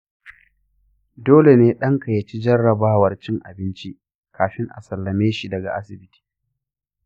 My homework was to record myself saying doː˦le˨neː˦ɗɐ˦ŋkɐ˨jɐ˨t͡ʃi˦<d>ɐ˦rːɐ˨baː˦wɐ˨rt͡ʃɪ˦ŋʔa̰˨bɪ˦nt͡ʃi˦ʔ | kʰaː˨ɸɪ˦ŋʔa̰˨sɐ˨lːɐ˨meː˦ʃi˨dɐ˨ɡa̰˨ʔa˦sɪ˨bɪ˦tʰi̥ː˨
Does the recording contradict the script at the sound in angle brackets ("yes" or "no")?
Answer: yes